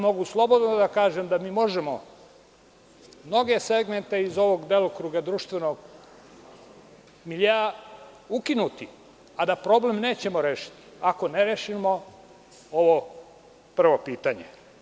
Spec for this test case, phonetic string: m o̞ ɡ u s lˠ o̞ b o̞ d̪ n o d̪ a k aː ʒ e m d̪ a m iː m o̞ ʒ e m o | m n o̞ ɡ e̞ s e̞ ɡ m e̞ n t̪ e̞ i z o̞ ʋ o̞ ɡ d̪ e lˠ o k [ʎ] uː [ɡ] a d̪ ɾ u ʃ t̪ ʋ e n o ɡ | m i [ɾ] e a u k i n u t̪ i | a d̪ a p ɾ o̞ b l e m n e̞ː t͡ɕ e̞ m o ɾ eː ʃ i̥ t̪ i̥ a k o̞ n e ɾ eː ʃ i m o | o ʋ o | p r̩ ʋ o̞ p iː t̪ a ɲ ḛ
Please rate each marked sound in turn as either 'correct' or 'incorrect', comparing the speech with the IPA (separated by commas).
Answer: incorrect, correct, incorrect